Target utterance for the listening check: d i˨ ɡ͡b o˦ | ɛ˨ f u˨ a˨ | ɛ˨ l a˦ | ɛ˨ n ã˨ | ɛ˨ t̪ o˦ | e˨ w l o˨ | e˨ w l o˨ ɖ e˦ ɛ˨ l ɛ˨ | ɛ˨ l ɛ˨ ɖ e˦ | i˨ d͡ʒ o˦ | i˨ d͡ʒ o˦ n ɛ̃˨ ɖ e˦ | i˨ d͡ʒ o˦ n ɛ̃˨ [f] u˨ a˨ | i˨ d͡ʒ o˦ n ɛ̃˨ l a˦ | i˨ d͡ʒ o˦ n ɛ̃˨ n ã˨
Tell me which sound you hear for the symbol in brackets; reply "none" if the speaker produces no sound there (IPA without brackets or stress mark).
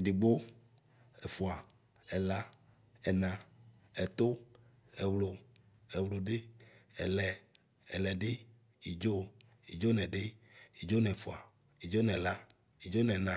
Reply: f